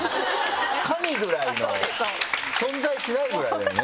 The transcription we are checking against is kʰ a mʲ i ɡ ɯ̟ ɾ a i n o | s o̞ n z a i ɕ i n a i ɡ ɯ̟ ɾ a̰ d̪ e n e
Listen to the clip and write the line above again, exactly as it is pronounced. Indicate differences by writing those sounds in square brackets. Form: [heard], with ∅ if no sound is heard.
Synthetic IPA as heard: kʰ a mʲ i ɡ ɯ̟ ɾ a i n o | s [õ̞] n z a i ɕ i n a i ɡ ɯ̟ ɾ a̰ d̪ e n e